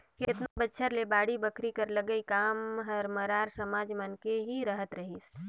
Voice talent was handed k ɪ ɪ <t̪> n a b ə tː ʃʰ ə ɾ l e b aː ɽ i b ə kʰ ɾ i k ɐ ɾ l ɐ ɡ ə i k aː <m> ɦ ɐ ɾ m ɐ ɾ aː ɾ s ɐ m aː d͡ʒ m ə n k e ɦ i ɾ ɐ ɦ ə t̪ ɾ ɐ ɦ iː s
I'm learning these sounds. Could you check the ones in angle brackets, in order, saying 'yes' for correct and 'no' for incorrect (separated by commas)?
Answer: yes, yes